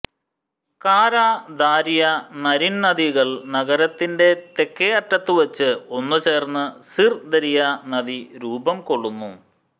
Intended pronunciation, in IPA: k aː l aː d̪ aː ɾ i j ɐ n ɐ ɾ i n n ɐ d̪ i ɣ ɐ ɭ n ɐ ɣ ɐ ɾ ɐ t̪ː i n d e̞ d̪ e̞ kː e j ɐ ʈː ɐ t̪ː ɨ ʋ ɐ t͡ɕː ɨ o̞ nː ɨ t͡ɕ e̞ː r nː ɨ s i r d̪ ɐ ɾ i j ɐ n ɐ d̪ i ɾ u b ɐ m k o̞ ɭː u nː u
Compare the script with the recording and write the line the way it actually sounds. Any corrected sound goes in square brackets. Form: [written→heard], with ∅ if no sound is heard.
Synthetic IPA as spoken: k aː [l→ɾ] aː d̪ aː ɾ i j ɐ n ɐ ɾ i n n ɐ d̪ i ɣ ɐ ɭ n ɐ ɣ ɐ ɾ ɐ t̪ː i n d e̞ [d̪→t̪] e̞ kː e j ɐ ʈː ɐ t̪ː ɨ ʋ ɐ t͡ɕː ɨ o̞ nː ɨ t͡ɕ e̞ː r nː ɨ s i r d̪ ɐ ɾ i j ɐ n ɐ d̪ i ɾ [u→uː] b ɐ m k o̞ ɭː u nː u